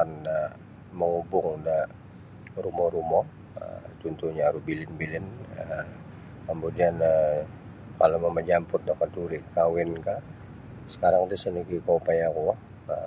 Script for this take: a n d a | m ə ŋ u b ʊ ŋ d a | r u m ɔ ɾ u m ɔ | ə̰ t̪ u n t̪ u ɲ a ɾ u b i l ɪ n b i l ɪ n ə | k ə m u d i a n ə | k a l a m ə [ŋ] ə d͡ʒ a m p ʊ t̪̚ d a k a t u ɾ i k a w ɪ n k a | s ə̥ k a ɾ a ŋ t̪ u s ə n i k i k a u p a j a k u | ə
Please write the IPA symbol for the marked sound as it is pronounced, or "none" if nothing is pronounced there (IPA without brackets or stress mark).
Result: m